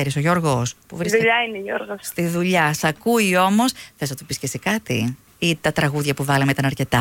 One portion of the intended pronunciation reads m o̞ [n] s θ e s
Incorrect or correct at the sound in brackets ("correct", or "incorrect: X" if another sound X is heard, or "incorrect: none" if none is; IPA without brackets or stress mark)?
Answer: incorrect: none